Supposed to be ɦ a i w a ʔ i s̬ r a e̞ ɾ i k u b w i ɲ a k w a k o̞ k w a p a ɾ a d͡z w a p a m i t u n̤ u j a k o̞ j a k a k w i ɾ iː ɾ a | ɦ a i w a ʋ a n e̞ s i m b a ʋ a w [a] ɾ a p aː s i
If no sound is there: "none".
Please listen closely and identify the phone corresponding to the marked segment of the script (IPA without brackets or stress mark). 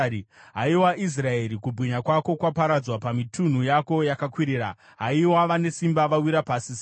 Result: i